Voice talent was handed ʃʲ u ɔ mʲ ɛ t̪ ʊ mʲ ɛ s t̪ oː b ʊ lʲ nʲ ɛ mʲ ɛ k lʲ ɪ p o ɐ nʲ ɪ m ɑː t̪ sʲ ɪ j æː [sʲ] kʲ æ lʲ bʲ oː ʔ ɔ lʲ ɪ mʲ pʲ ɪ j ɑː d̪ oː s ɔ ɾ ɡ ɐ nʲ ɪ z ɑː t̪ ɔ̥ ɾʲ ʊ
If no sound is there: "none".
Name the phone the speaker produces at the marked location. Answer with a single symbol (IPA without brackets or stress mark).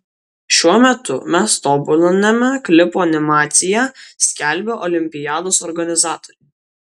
sʲ